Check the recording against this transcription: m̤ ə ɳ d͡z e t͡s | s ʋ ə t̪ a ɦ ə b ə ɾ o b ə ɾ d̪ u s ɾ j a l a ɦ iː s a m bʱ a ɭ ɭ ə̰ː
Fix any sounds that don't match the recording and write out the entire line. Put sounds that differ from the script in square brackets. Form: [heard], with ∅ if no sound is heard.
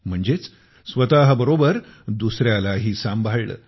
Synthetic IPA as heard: m̤ ə ɳ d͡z e t͡s | s ʋ ə t̪ a ɦ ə b ə ɾ o b ə ɾ d̪ u s ɾ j a l a ɦ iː s a m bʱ a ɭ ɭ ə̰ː